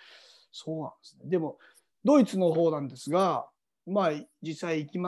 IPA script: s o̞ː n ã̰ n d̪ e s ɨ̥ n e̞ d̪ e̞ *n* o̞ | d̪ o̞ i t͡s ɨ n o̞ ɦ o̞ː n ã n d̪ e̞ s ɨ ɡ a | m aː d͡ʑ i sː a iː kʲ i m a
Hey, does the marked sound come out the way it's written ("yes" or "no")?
no